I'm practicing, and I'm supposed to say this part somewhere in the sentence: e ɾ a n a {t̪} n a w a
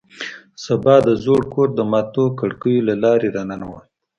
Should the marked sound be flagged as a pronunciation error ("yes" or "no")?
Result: yes